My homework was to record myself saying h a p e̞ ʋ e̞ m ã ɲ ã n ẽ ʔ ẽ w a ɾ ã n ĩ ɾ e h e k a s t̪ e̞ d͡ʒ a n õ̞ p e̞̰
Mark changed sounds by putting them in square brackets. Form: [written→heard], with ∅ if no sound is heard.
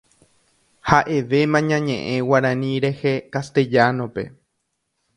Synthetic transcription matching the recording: h a [p→ʔ] e̞ ʋ e̞ m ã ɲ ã [n→ɲ] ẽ ʔ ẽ w a ɾ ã n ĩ ɾ e h e k a s t̪ e̞ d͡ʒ a n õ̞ p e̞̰